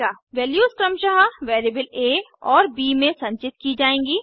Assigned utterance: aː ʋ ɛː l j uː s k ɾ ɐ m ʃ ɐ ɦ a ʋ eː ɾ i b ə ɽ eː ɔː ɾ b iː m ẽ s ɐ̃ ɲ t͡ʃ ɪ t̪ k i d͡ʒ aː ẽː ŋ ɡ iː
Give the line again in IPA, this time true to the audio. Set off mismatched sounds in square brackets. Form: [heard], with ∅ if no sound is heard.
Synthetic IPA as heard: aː ʋ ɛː l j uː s k ɾ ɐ m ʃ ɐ ɦ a ʋ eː ɾ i b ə [l] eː ɔː ɾ b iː m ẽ s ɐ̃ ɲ t͡ʃ ɪ t̪ k i d͡ʒ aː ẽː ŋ ɡ iː